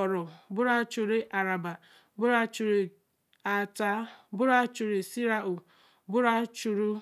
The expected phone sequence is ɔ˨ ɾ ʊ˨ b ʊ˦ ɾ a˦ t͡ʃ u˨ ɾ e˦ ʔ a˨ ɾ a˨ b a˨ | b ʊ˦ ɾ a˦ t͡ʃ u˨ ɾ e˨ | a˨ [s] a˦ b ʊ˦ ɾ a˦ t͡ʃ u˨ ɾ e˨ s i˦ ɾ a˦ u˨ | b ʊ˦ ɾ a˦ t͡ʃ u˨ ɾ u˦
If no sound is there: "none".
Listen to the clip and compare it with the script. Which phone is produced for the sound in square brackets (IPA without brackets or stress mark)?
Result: t